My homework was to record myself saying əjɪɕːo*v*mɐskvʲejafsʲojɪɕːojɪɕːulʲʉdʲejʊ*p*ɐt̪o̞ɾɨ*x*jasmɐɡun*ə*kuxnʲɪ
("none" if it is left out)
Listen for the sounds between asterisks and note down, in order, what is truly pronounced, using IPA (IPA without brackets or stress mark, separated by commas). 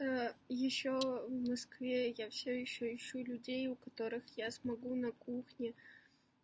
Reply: v, k, x, ɐ